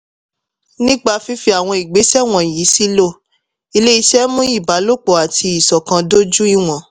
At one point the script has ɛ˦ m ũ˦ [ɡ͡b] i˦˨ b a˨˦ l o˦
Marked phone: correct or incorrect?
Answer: incorrect